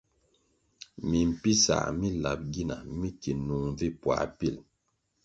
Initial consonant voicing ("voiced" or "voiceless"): voiced